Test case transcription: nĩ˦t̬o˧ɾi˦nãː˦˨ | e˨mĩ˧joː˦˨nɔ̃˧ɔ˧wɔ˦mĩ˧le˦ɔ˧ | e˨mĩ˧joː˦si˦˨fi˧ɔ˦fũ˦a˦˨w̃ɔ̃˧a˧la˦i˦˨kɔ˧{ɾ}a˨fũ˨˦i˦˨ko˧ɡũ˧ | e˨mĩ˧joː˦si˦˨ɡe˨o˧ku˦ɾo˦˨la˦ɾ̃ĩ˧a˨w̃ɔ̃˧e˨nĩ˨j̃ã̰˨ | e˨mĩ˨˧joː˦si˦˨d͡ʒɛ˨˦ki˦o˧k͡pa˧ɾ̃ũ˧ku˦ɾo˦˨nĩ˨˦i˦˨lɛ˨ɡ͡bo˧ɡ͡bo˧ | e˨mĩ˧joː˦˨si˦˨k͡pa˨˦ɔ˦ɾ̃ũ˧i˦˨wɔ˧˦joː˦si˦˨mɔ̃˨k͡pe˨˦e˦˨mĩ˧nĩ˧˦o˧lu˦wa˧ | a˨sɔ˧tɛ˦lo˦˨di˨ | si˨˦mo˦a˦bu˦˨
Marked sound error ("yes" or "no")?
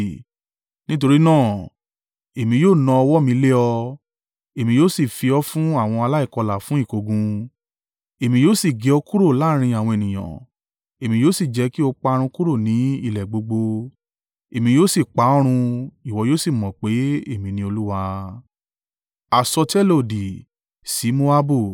yes